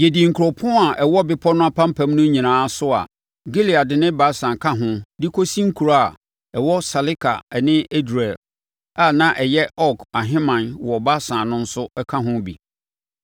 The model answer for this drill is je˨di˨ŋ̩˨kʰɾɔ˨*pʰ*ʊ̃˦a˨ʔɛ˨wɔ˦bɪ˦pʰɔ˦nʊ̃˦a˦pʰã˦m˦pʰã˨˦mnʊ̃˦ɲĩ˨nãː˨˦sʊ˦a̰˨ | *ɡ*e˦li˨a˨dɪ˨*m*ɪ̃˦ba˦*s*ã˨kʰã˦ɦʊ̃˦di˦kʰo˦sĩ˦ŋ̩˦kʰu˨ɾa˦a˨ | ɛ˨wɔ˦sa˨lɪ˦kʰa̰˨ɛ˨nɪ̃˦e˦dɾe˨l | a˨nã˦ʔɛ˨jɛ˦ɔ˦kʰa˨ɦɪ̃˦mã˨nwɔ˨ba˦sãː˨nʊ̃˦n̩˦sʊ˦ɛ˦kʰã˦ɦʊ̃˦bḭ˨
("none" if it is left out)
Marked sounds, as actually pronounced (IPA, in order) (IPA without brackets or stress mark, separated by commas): pʰ, ɡ, n, s